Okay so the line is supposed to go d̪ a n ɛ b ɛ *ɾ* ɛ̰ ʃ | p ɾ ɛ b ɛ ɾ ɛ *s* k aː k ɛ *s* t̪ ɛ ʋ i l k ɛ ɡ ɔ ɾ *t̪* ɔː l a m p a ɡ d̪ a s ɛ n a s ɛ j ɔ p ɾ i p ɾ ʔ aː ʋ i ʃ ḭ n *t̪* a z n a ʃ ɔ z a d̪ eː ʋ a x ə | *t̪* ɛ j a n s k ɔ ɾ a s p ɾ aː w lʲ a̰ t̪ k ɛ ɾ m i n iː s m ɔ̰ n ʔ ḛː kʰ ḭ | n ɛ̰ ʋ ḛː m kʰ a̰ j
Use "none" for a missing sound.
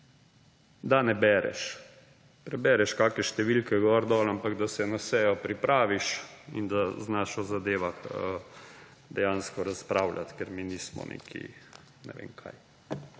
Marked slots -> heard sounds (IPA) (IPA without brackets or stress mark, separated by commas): ɾ, ʃ, ʃ, d̪, d̪, d̪